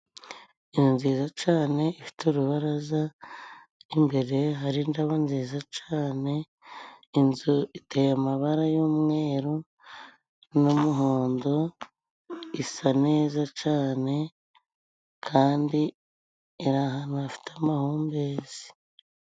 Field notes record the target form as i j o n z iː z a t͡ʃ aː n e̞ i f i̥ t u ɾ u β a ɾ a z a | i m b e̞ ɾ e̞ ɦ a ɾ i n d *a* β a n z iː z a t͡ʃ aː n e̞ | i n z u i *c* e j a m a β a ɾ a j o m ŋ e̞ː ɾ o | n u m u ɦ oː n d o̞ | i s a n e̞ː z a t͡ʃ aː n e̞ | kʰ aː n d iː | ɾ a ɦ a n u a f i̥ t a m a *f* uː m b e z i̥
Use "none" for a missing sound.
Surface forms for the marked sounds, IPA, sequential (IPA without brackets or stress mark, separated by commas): a, t, h